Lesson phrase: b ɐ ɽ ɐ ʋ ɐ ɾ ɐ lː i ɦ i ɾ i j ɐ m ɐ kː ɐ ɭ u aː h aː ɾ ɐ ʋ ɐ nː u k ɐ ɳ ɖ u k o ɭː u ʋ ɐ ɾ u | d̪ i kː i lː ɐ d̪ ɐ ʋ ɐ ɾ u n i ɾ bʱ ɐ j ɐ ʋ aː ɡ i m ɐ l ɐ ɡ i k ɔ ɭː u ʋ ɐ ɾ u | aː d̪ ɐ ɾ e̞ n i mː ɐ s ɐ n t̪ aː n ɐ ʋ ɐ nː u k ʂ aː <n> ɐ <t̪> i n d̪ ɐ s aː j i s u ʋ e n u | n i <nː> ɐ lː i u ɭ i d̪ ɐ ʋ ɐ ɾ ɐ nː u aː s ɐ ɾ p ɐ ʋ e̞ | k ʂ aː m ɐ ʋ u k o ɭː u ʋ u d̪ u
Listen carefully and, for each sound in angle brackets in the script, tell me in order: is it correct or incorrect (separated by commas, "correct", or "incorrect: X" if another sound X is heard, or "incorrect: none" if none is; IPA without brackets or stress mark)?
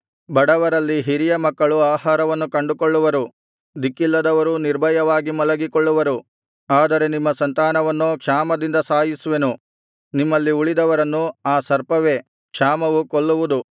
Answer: incorrect: m, incorrect: d̪, incorrect: mː